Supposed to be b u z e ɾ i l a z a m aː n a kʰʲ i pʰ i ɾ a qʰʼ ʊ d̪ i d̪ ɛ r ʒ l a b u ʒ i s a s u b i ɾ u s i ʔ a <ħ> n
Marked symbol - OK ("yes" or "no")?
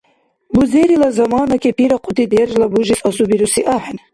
yes